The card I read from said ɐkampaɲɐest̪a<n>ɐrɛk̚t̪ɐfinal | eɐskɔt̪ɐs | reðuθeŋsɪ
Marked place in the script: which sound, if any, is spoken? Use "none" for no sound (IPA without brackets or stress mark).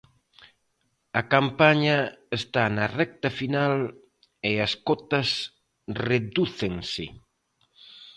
n